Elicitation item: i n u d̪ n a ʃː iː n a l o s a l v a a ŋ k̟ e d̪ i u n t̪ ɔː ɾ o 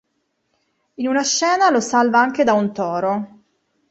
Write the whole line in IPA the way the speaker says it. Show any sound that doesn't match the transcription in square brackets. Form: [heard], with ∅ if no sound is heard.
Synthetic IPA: i n u [∅] n a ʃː [ɛː] n a l o s a l v a a ŋ k̟ e d̪ [a] u n t̪ ɔː ɾ o